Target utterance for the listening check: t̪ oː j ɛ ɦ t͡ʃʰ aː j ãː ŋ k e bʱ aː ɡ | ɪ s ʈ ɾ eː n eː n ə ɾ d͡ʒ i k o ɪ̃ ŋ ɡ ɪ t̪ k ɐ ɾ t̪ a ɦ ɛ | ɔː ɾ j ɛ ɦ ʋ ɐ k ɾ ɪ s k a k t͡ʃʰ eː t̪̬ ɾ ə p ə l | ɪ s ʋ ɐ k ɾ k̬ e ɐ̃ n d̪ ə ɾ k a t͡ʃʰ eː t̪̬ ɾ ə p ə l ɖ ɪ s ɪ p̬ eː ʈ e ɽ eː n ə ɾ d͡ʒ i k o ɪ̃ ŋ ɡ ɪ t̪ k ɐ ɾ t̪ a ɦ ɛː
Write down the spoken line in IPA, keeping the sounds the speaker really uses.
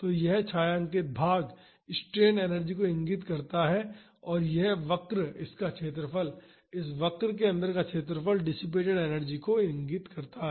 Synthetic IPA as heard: t̪ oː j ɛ ɦ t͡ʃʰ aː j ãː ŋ k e bʱ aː ɡ | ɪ s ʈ ɾ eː n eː n ə ɾ d͡ʒ i k o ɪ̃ ŋ ɡ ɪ t̪ k ɐ ɾ t̪ a ɦ ɛ | ɔː ɾ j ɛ ɦ ʋ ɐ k ɾ ɪ s k a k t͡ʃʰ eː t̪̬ ɾ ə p ə l | ɪ s ʋ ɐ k ɾ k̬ e ɐ̃ n d̪ ə ɾ k a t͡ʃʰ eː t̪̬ ɾ ə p ə l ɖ ɪ s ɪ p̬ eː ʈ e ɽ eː n ə ɾ d͡ʒ i k o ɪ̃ ŋ ɡ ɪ t̪ k ɐ ɾ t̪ a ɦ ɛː